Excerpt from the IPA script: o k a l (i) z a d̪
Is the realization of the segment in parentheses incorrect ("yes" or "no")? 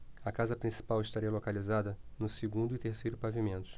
no